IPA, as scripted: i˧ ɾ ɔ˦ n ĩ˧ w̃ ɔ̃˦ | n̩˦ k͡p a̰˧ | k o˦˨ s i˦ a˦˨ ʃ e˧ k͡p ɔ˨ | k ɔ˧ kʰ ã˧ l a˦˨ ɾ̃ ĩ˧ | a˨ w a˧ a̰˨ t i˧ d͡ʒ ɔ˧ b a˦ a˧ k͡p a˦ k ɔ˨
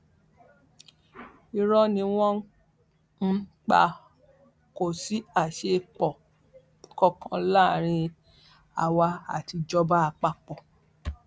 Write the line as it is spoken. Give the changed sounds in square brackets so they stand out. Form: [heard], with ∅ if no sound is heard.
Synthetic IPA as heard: i˧ ɾ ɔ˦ n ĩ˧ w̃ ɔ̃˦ | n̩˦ k͡p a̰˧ | k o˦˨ s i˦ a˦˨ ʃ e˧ k͡p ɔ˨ | k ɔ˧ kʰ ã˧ l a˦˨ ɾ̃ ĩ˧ | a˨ w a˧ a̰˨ t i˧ d͡ʒ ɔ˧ b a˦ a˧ k͡p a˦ [k͡p] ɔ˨